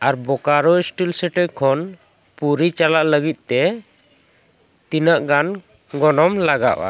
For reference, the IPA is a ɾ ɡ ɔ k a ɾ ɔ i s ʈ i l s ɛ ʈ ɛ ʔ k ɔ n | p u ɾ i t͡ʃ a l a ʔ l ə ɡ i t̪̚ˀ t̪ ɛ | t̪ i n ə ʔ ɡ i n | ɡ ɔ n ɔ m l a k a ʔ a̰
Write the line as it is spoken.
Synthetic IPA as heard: a ɾ b ɔ k a ɾ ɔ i s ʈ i l s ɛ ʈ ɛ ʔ kʰ ɔ n | p u ɾ i t͡ʃ a l a ʔ l ə ɡ i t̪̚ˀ t̪ ɛ | t̪ i n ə ʔ ɡ a n | ɡ ɔ n ɔ m l a ɡ a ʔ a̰